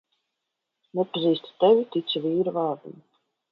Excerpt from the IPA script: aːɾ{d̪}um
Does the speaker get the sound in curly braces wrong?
no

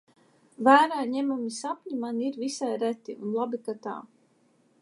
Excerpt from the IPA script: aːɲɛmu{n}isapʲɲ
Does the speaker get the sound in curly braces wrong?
yes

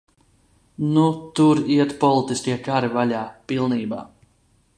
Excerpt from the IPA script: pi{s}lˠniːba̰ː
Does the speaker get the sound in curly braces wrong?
yes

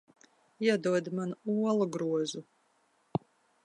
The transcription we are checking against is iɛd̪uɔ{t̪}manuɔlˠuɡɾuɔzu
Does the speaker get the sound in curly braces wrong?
yes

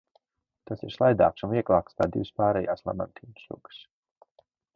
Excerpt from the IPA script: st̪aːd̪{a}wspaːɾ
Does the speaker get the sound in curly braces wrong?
yes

